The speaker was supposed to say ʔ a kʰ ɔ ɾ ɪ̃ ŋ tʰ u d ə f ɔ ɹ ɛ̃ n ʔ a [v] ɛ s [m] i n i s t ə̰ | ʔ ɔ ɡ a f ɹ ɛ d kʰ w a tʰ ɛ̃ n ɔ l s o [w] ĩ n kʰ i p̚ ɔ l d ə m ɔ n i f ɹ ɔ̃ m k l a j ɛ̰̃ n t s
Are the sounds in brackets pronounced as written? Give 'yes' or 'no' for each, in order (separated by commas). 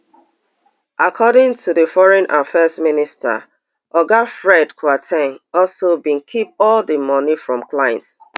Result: no, yes, no